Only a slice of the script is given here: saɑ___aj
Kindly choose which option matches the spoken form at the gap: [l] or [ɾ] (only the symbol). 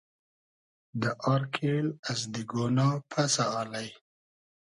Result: l